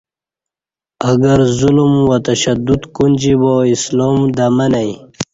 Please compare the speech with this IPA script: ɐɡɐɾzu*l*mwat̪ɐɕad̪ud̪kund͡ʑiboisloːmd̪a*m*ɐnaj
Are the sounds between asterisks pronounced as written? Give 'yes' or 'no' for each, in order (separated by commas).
yes, yes